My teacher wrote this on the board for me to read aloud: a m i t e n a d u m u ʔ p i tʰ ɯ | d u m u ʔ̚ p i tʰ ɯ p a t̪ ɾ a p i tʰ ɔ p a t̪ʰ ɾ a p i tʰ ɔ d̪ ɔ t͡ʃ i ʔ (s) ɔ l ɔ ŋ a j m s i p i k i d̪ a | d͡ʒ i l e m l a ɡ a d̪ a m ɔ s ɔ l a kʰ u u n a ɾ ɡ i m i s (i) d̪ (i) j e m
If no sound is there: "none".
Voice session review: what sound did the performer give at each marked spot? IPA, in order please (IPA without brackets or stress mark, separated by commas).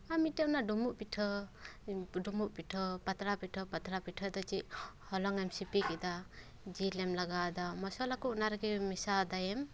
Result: h, a, a